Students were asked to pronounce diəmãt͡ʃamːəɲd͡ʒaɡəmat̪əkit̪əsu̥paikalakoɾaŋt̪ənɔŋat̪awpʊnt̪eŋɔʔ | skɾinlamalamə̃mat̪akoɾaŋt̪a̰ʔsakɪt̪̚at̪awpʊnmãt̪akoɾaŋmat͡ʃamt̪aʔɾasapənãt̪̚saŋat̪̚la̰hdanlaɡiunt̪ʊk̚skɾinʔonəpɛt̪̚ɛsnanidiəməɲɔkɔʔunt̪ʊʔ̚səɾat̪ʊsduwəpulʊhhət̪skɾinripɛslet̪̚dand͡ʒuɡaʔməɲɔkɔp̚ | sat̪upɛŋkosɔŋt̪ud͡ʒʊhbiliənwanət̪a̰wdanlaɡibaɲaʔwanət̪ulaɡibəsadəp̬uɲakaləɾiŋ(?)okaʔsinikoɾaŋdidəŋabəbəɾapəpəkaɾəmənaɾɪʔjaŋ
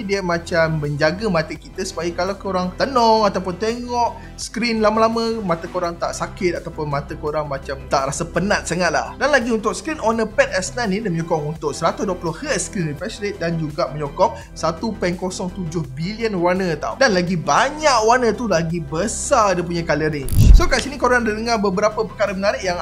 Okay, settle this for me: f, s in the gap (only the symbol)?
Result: s